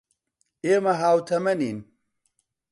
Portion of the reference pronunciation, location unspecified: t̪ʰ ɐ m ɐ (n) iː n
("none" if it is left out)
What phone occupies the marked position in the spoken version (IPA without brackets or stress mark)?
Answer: n